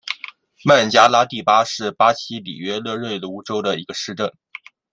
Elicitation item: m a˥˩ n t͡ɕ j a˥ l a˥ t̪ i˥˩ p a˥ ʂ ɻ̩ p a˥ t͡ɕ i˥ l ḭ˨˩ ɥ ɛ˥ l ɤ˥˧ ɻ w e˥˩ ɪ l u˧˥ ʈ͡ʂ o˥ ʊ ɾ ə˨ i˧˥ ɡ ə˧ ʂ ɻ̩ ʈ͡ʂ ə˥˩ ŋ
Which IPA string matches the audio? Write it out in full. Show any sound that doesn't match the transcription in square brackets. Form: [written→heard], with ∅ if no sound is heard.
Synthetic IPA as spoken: m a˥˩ n t͡ɕ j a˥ l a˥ t̪ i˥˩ p a˥ ʂ ɻ̩ p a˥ [t͡ɕ→t͡ɕʰ] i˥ l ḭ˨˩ ɥ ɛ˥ l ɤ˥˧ ɻ w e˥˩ ɪ l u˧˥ ʈ͡ʂ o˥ ʊ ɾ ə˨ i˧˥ ɡ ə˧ ʂ ɻ̩ ʈ͡ʂ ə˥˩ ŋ